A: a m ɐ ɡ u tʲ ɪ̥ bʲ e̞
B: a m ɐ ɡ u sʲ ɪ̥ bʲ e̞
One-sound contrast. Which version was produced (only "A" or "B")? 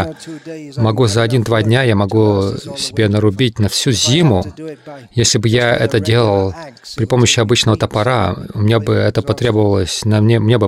B